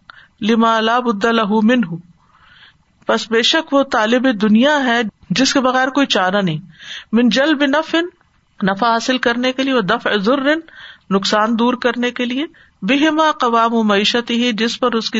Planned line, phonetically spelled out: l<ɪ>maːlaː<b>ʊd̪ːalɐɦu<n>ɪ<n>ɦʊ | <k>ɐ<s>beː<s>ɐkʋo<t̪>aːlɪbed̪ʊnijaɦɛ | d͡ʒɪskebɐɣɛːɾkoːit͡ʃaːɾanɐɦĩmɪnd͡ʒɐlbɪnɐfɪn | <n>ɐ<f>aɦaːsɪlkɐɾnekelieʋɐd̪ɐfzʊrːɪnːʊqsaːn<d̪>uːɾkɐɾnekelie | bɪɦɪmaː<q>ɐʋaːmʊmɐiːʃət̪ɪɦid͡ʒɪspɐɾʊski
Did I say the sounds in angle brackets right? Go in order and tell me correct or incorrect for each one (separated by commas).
correct, correct, incorrect, correct, incorrect, correct, incorrect, correct, correct, correct, correct, correct